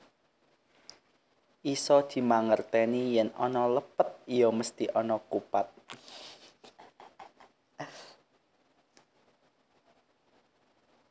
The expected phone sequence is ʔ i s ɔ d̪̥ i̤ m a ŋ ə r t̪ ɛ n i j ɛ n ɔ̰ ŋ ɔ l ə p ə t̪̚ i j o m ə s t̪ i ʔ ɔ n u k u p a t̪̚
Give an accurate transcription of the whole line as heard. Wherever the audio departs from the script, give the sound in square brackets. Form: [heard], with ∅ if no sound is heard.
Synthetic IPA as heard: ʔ i s ɔ d̪̥ i̤ m a ŋ ə r t̪ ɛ n i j ɛ n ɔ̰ [n] ɔ l ə p ə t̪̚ i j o m ə s t̪ i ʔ ɔ n [ɔ] k u p a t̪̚

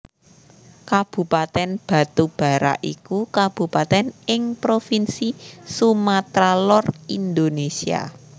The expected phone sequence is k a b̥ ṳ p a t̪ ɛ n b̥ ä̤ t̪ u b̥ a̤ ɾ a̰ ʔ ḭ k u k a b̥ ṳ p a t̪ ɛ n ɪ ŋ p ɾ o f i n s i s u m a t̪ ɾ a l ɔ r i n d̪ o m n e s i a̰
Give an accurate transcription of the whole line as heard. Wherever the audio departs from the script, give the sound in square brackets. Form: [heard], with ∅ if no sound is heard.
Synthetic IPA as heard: k a b̥ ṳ p a t̪ ɛ n b̥ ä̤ t̪ u b̥ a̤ ɾ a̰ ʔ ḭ k u k a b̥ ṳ p a t̪ ɛ n ɪ ŋ p ɾ o f i n s i s u m a t̪ ɾ a l ɔ r i n d̪ o [∅] n e s i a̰

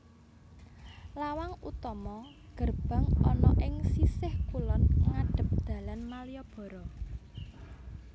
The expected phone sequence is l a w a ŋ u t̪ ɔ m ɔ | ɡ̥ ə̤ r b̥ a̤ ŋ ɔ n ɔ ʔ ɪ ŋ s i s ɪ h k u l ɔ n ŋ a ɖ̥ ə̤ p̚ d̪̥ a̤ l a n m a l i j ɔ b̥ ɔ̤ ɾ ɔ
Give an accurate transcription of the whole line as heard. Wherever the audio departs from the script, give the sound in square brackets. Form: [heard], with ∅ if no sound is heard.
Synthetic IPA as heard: l a w a ŋ u t̪ ɔ m ɔ | ɡ̥ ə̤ r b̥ a̤ ŋ ɔ n ɔ ʔ ɪ ŋ s i s ɪ h k u l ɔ n ŋ a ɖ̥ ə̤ p̚ d̪̥ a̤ l a n m a l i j ɔ b̥ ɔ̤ ɾ ɔ

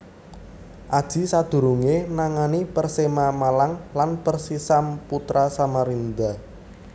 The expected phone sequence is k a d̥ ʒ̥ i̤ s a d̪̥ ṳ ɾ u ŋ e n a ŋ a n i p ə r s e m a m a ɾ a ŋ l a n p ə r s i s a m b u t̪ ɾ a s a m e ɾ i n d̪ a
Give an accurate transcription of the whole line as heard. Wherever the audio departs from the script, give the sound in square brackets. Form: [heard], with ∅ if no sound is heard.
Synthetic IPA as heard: [ʔ] a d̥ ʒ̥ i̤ s a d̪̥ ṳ ɾ u ŋ e n a ŋ a n i p ə r s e m a m a [l] a ŋ l a n p ə r s i s a m [p] u t̪ ɾ a s a m [a] ɾ i n d̪ a

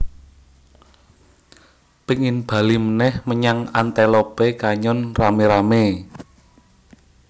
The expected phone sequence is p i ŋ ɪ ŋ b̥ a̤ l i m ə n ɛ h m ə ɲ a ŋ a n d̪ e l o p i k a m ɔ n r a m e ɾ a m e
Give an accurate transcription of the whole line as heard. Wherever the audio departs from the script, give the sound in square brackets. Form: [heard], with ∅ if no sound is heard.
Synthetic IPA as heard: p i ŋ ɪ [n] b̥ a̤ l i m ə n ɛ h m ə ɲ a ŋ a n [t̪] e l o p [e] k a [ɲ] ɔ n r a m e ɾ a m e

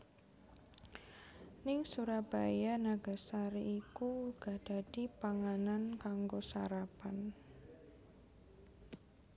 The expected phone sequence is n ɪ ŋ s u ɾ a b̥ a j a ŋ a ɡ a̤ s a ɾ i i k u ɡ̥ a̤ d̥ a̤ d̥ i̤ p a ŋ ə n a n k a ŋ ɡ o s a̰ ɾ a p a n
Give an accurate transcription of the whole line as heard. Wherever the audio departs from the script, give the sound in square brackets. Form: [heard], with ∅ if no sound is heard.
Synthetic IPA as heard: n ɪ ŋ s u ɾ a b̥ a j a [n] a ɡ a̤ s a ɾ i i k u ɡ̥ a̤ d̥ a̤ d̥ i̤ p a ŋ [a] n a n k a ŋ ɡ o s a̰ ɾ a p a n

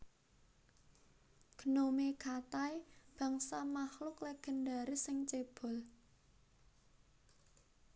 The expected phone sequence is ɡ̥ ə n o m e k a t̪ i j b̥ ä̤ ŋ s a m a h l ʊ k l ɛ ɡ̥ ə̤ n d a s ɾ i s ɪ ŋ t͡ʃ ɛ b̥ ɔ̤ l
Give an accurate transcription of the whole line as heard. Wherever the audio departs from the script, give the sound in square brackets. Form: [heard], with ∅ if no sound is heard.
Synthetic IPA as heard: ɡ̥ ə n o m e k a t̪ [a] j b̥ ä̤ ŋ s a m a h l ʊ k l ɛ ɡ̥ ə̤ n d a [∅] ɾ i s ɪ ŋ t͡ʃ [e] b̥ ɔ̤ l

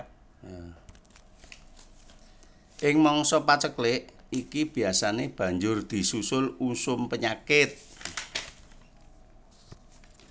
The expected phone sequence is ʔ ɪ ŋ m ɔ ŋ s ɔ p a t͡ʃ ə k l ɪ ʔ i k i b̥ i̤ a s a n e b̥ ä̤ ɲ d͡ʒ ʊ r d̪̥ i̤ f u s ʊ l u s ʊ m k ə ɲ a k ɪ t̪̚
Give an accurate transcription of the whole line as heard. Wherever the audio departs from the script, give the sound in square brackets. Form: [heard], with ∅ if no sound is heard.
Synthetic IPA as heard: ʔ ɪ ŋ m ɔ ŋ s ɔ p a t͡ʃ ə k l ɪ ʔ i k i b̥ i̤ a s a n e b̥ ä̤ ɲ d͡ʒ ʊ r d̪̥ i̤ [s] u s ʊ l u s ʊ m [p] ə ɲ a k ɪ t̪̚

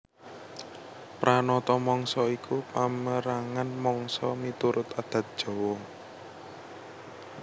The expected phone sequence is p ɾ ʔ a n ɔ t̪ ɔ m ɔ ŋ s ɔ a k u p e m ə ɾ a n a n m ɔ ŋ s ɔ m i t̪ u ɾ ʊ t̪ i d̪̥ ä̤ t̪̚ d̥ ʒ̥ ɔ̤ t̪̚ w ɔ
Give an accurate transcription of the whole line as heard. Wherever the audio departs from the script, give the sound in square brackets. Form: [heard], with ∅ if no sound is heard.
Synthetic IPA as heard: p ɾ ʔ a n ɔ t̪ ɔ m ɔ ŋ s ɔ [i] k u p [a] m ə ɾ a [ŋ] a n m ɔ ŋ s ɔ m i t̪ u ɾ ʊ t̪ [a] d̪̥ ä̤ t̪̚ d̥ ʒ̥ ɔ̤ [∅] w ɔ

